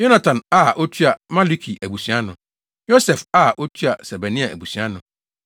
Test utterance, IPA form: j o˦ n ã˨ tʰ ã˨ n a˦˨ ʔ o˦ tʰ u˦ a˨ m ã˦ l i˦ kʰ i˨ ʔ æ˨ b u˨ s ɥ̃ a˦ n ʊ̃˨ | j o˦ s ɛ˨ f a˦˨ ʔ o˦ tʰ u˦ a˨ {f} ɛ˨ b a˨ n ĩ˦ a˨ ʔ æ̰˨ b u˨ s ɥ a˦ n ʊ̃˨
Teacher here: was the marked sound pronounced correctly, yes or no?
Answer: no